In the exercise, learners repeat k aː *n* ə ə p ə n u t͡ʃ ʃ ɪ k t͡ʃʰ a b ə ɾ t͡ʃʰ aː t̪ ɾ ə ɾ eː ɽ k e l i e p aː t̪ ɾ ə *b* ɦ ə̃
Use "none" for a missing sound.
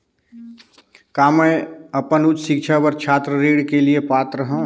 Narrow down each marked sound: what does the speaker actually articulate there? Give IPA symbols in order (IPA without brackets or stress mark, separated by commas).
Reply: m, none